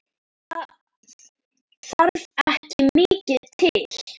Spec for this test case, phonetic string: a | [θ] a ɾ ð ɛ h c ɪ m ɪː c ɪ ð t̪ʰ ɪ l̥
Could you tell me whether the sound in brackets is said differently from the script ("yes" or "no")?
no